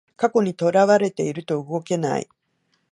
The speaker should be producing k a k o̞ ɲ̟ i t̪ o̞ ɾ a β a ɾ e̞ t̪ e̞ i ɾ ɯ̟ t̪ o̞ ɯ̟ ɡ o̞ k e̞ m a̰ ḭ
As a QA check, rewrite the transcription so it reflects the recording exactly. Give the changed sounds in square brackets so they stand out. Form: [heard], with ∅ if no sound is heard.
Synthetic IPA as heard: k a k o̞ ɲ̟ i t̪ o̞ ɾ a β a ɾ e̞ t̪ e̞ i ɾ ɯ̟ t̪ o̞ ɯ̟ ɡ o̞ k e̞ [n] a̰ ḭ